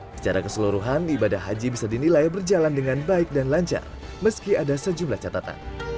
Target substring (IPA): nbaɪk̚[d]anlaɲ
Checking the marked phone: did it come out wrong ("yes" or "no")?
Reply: no